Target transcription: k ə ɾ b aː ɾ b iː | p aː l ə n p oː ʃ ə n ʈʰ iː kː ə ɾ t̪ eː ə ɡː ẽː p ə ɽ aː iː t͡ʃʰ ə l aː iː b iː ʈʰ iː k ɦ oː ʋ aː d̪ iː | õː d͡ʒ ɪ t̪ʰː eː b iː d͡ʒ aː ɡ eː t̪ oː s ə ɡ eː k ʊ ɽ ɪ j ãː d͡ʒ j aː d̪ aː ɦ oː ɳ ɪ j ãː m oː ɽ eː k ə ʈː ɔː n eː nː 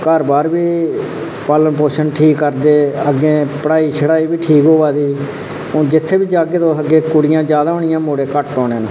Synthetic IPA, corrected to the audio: k ə ɾ b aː ɾ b iː | p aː l ə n p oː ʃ ə n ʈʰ iː kː ə ɾ d̪ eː ə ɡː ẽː p ə ɽ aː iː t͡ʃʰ ə ɽ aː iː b iː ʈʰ iː k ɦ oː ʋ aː d̪ iː | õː d͡ʒ ɪ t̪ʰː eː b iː d͡ʒ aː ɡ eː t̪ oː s ə ɡ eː k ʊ ɽ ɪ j ãː d͡ʒ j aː d̪ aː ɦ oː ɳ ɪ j ãː m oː ɽ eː k ə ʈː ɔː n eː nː

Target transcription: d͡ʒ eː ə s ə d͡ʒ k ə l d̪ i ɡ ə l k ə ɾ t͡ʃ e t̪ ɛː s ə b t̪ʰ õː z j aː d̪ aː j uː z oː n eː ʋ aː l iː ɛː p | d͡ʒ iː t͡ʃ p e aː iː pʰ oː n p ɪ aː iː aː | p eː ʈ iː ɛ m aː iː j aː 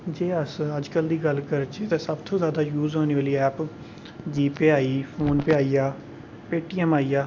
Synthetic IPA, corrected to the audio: d͡ʒ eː ə s ə d͡ʒ k ə l d̪ iː ɡ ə l k ə ɾ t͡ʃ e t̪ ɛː s ə b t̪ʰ õː z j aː d̪ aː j uː z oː n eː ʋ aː l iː ɛː p | d͡ʒ iː p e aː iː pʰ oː n p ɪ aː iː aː | p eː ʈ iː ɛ m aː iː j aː

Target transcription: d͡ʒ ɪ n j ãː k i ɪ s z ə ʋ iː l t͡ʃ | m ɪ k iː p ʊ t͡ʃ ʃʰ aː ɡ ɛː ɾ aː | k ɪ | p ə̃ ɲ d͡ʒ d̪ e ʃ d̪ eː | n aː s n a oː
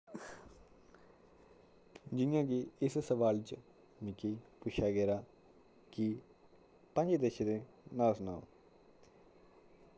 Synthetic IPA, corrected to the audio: d͡ʒ ɪ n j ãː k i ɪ s s ə ʋ aː l t͡ʃ | m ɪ k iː p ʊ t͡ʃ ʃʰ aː ɡ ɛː ɾ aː | k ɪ | p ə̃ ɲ d͡ʒ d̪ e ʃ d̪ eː | n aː s n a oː

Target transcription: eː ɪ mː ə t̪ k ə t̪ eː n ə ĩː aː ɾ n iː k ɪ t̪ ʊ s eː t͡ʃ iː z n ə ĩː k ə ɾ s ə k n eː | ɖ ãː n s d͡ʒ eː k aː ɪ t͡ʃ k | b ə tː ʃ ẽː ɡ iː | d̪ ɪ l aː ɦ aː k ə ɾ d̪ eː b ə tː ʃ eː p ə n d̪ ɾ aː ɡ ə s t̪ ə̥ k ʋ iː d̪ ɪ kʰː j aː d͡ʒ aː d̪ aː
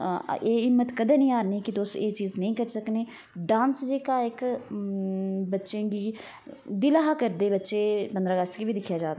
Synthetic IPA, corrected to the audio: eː ɪ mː ə t̪ k ə d̪ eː n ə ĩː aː ɾ n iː k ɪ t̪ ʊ s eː t͡ʃ iː z n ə ĩː k ə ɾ s ə k n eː | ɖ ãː n s d͡ʒ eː k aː ɪ k | b ə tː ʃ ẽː ɡ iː | d̪ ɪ l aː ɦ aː k ə ɾ d̪ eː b ə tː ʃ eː p ə n d̪ ɾ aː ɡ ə s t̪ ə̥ k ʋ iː d̪ ɪ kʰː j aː d͡ʒ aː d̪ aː

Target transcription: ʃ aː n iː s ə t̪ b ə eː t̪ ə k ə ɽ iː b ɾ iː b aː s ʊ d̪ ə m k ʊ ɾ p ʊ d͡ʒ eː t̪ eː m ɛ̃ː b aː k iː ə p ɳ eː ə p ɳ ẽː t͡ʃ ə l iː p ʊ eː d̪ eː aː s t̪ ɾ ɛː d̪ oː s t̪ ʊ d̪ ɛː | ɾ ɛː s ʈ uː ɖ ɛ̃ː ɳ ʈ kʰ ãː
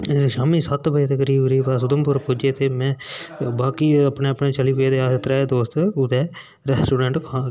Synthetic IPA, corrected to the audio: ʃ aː m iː s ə t̪ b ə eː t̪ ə k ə ɾ iː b ɾ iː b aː s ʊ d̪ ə m p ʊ ɾ p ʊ d͡ʒ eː t̪ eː m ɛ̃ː b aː k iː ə p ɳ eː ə p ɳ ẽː t͡ʃ ə l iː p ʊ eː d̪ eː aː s t̪ ɾ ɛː d̪ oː s t̪ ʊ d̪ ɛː | ɾ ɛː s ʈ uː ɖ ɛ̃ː ɳ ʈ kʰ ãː

